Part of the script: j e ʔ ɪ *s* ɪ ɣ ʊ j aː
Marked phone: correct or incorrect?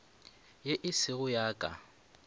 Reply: correct